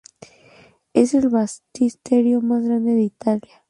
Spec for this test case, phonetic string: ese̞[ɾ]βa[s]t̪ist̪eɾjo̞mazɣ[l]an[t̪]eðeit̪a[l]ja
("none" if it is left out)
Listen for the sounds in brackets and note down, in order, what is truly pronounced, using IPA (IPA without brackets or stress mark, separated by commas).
l, s, ɾ, d̪, l